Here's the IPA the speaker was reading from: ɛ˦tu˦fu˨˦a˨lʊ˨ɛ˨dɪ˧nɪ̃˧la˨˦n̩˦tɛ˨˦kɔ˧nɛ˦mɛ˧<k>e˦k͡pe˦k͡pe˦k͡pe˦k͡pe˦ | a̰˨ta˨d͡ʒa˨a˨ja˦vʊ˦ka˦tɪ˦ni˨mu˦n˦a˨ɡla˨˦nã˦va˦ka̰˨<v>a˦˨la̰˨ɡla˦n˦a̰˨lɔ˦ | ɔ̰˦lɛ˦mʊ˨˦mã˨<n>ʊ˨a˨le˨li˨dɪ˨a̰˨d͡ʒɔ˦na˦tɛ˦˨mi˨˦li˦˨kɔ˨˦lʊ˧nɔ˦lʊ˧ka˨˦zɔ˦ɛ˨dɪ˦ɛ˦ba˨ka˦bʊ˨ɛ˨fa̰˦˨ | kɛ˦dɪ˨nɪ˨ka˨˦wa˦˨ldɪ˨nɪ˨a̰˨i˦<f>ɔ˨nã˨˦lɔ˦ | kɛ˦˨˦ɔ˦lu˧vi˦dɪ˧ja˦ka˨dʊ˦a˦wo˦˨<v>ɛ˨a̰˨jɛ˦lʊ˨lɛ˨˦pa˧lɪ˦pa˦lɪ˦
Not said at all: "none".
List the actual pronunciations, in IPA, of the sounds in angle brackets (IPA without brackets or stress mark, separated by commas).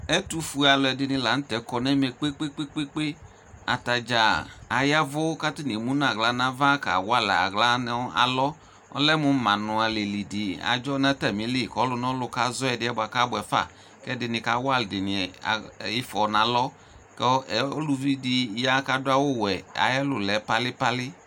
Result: k͡p, w, n, f, w